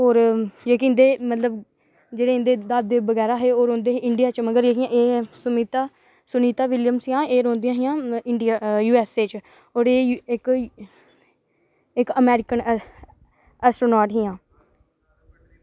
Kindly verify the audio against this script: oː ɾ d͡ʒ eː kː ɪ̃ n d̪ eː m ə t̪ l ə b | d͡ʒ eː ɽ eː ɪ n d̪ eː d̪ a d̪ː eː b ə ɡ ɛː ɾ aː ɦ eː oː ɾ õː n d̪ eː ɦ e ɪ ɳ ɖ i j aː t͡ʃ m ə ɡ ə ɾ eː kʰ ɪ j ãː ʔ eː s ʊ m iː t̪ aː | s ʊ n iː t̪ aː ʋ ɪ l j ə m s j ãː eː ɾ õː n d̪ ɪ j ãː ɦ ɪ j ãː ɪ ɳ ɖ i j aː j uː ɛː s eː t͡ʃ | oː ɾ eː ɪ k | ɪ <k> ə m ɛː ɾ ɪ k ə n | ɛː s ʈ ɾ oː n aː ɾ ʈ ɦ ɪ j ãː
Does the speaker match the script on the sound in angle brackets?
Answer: yes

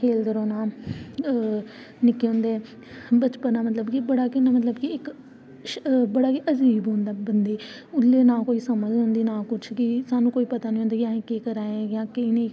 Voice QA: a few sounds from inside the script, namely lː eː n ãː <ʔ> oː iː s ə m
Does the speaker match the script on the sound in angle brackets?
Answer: no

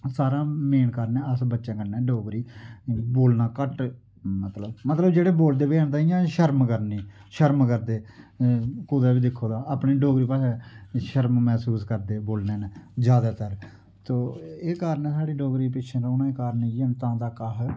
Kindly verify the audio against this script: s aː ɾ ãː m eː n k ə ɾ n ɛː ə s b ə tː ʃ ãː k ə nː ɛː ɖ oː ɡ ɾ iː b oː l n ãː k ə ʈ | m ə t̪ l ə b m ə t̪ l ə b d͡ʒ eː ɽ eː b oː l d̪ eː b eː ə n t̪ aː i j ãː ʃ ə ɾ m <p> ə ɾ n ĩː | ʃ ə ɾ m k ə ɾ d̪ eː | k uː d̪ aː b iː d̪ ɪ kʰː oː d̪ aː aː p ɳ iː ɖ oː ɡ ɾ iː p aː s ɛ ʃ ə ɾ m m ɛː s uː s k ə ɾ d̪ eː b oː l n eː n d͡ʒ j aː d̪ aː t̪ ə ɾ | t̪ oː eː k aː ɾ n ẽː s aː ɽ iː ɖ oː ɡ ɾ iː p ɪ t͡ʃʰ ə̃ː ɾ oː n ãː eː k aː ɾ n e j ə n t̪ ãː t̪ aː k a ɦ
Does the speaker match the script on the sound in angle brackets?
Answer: no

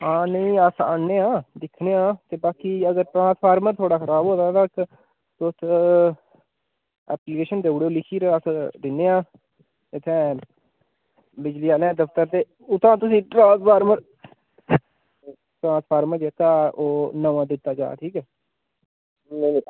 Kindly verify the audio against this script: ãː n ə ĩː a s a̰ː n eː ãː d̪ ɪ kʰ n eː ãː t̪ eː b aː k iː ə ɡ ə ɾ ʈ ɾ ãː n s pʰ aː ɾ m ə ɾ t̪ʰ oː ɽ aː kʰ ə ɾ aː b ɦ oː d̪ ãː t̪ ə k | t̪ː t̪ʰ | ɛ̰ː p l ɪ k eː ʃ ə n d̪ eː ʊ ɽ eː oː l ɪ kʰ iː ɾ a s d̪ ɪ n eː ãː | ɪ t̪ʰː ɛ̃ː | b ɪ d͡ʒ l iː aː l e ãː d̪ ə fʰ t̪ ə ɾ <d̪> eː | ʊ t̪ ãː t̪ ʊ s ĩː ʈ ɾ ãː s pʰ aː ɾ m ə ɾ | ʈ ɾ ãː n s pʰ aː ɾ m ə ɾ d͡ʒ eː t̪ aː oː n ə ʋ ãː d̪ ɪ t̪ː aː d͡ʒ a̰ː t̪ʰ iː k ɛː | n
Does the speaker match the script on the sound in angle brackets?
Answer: no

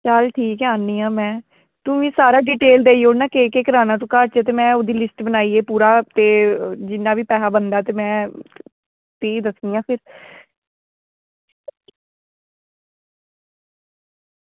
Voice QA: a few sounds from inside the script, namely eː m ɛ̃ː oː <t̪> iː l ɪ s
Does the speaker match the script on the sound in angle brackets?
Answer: no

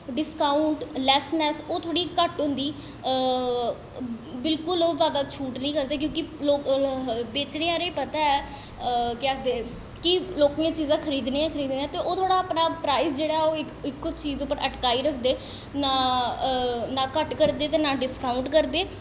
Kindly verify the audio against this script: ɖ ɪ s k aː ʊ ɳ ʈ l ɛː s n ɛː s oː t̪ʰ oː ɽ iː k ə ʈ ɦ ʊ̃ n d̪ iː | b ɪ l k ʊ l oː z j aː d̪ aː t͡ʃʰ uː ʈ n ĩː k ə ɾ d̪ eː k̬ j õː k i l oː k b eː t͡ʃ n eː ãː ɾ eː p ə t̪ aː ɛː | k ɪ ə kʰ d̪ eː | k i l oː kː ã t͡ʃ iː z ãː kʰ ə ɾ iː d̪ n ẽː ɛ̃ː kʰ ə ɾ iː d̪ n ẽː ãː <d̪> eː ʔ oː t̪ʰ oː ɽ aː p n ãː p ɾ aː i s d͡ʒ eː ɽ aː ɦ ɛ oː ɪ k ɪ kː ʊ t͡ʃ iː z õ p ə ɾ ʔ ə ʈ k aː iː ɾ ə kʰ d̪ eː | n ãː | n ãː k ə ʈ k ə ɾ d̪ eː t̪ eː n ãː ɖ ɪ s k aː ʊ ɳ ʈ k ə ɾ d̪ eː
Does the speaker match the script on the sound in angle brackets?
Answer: no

